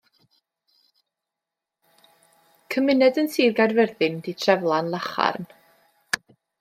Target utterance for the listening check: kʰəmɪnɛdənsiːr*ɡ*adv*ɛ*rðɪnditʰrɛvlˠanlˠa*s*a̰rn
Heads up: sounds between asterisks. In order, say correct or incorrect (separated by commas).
correct, correct, incorrect